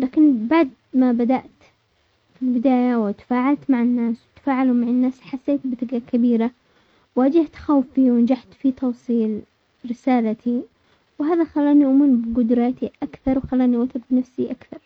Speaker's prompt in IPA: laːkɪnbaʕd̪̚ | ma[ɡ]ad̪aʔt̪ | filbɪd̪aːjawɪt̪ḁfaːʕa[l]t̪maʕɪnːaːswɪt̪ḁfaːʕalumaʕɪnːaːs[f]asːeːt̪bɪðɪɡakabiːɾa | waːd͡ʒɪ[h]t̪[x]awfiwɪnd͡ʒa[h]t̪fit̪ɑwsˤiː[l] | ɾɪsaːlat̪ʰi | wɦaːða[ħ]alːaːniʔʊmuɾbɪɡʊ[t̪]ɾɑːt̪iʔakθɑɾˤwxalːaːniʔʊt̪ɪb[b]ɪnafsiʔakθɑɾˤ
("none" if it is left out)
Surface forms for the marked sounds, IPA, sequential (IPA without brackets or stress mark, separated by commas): b, l, ħ, h, x, ħ, l, x, d̪, b